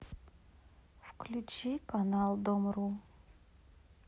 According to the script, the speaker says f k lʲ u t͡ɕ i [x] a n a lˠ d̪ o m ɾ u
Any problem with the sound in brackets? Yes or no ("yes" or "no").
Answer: yes